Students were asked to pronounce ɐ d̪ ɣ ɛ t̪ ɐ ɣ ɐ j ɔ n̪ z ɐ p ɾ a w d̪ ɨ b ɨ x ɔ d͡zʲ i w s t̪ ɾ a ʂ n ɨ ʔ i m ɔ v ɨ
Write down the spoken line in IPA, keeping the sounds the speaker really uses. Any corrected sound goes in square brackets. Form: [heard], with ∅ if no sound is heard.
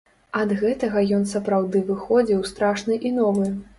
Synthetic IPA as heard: ɐ d̪ ɣ ɛ t̪ ɐ ɣ ɐ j ɔ n̪ [s] ɐ p ɾ a w d̪ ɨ [v] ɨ x ɔ d͡zʲ i w s t̪ ɾ a ʂ n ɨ ʔ i [n] ɔ v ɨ

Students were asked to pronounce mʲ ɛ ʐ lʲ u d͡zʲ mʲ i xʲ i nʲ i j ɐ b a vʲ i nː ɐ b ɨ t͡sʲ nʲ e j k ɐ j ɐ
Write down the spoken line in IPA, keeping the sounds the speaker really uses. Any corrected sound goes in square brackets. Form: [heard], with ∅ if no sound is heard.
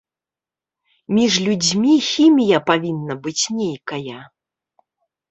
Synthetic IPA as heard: mʲ [i] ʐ lʲ u d͡zʲ mʲ i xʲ i [mʲ] i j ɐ [p] a vʲ i nː ɐ b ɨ t͡sʲ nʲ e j k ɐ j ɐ

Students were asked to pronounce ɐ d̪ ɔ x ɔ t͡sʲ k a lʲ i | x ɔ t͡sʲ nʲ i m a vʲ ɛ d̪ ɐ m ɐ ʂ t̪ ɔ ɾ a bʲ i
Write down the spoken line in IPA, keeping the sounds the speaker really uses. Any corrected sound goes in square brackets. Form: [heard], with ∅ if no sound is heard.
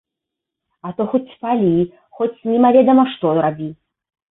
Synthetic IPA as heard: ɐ [t̪] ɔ x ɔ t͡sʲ [p] a lʲ i | x ɔ t͡sʲ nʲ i m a vʲ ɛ d̪ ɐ m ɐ ʂ t̪ ɔ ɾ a bʲ i

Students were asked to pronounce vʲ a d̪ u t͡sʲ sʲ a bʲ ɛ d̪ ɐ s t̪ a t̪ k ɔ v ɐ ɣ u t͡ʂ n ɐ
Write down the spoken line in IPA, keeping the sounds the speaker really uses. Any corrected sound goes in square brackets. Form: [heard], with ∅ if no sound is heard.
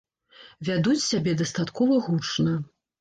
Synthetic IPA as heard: vʲ a d̪ u t͡sʲ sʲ a bʲ ɛ d̪ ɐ s t̪ a t̪ k ɔ v ɐ ɣ u t͡ʂ n ɐ

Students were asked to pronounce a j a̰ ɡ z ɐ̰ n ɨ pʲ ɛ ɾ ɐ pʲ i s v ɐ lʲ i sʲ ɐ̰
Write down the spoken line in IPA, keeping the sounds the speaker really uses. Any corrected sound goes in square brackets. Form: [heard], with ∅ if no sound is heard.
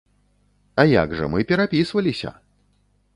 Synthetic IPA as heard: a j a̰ ɡ [ʐ] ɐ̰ [m] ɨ pʲ ɛ ɾ [a] pʲ i s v ɐ lʲ i sʲ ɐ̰

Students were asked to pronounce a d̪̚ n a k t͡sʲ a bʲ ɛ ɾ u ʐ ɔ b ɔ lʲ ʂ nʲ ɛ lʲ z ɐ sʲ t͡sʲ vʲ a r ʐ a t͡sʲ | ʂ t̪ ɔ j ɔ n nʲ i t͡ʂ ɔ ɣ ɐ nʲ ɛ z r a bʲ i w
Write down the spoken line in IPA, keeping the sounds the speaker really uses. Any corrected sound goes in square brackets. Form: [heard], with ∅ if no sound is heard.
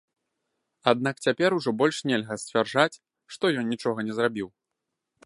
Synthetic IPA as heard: a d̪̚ n a k t͡sʲ a [pʲ] ɛ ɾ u ʐ ɔ b ɔ lʲ ʂ nʲ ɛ lʲ [ɣ] ɐ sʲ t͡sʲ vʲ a r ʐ a t͡sʲ | ʂ t̪ ɔ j ɔ n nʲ i t͡ʂ ɔ ɣ ɐ nʲ ɛ z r a bʲ i w

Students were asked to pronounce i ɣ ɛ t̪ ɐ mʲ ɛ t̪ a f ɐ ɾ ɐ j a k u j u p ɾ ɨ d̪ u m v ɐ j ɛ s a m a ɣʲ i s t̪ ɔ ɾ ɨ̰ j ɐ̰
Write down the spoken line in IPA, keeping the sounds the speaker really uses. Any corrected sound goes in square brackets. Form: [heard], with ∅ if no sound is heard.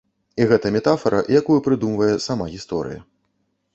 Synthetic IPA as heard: i ɣ ɛ t̪ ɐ mʲ ɛ t̪ a f ɐ ɾ ɐ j a k u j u p ɾ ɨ d̪ u m v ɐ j ɛ s a m a ɣʲ i s t̪ ɔ ɾ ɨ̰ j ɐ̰

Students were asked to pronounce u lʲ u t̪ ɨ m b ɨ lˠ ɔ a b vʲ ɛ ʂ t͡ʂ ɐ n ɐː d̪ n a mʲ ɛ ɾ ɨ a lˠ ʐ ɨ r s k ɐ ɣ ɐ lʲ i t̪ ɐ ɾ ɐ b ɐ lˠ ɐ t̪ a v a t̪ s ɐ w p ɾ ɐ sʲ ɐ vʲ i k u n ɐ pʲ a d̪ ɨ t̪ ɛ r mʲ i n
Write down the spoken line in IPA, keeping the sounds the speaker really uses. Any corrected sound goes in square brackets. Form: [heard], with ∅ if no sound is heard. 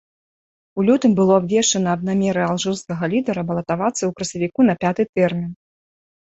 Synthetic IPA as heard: u lʲ u t̪ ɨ m b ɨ lˠ ɔ a b vʲ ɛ ʂ t͡ʂ ɐ n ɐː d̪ n a mʲ ɛ ɾ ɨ a lˠ ʐ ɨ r s k ɐ ɣ ɐ lʲ i [d̪] ɐ ɾ ɐ b ɐ lˠ ɐ t̪ a v a t̪ s ɐ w [k] ɾ ɐ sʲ ɐ vʲ i k u n ɐ pʲ a [t̪] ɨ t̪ ɛ r mʲ i n

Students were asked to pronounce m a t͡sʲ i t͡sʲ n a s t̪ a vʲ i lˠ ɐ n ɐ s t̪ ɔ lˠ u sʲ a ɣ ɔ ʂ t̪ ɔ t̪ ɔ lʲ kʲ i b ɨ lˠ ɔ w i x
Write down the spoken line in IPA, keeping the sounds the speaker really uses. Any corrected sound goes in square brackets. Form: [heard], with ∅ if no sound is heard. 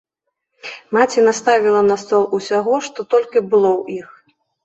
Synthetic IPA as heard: m a t͡sʲ i [∅] n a s t̪ a vʲ i lˠ ɐ n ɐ s t̪ ɔ lˠ u sʲ a ɣ ɔ ʂ t̪ ɔ t̪ ɔ lʲ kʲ i b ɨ lˠ ɔ w i x

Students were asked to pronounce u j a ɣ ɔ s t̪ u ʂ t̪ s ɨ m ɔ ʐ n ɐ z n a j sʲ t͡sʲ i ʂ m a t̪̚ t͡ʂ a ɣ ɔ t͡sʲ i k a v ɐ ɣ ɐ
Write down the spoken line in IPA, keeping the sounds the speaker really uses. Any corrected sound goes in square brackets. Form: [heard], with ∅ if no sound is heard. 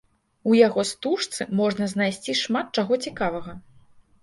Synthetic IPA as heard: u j a ɣ ɔ s t̪ u ʂ t̪ s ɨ m ɔ ʐ n ɐ z n a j sʲ t͡sʲ i ʂ m a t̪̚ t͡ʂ a ɣ ɔ t͡sʲ i k a v ɐ ɣ ɐ

